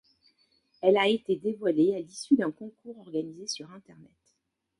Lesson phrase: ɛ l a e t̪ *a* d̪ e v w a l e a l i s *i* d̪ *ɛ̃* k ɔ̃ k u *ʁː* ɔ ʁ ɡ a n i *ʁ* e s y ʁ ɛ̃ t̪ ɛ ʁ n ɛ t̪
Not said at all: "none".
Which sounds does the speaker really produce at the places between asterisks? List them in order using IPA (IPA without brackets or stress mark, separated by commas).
e, y, ɛ̃, ʁ, z